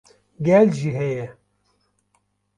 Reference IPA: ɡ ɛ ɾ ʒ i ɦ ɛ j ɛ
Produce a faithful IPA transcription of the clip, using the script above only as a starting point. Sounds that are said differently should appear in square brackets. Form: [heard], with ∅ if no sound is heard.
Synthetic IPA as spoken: ɡ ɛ [l] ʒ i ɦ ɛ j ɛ